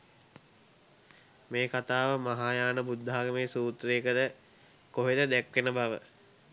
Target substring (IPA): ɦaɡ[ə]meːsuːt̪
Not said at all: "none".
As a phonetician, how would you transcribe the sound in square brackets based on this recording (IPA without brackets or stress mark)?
ə